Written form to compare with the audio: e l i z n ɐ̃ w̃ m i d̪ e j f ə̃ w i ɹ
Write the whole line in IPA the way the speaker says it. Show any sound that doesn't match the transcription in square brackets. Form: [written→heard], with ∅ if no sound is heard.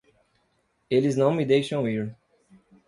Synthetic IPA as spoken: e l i z n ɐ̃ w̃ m i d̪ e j [f→ʃ] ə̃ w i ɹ